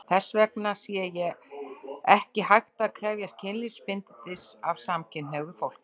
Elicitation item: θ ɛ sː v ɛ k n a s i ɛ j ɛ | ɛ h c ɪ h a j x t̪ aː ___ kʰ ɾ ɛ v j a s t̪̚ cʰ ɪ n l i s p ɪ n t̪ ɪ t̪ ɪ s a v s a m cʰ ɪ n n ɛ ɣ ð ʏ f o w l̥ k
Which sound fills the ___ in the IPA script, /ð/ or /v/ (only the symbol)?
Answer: ð